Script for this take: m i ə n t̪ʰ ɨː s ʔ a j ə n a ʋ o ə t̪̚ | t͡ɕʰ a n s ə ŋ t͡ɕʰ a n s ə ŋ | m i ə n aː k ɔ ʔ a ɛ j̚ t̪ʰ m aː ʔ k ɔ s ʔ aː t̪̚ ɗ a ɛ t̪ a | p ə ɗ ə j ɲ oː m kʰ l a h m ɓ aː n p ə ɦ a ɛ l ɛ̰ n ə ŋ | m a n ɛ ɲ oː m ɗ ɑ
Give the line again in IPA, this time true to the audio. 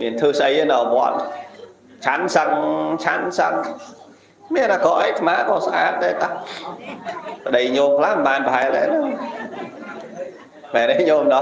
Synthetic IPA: m i ə n t̪ʰ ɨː s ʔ ə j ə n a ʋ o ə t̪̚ | t͡ɕʰ a n s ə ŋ t͡ɕʰ a n s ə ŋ | m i ə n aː k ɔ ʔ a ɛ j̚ t̪ʰ m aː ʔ k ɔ s ʔ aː t̪̚ ɗ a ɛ t̪ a | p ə ɗ ə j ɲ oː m kʰ l a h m ɓ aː n p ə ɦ a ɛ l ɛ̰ n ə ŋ | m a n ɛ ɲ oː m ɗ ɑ